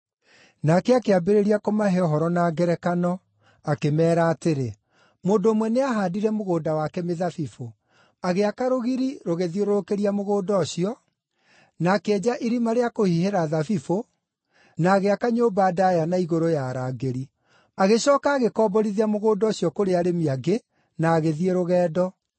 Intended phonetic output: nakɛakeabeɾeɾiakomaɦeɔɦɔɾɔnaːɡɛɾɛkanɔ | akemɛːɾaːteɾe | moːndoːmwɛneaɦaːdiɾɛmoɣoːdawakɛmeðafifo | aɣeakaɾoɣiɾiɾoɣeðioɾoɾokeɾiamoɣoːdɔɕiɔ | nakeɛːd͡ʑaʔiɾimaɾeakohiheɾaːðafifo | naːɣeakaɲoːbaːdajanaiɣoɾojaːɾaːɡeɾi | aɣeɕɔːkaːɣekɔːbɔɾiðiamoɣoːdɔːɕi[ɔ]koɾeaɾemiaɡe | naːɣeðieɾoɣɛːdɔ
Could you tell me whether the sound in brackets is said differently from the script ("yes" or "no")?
no